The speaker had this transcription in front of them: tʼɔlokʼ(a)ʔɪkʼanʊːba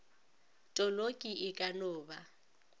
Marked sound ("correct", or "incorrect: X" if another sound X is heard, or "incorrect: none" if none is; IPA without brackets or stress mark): incorrect: i